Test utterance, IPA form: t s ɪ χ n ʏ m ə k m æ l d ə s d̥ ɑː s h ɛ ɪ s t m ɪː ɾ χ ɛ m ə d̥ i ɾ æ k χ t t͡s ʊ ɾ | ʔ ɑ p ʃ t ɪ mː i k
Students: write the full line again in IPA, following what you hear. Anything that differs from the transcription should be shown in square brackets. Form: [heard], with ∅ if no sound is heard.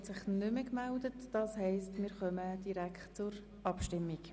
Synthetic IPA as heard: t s ɪ χ n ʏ m ə k m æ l d ə [t] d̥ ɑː s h ɛ ɪ s t m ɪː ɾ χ [œ] m ə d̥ i ɾ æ k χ t t͡s ʊ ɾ | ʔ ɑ p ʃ t ɪ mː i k